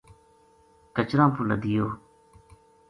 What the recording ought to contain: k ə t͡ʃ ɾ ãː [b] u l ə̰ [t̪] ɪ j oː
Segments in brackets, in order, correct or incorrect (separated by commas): incorrect, incorrect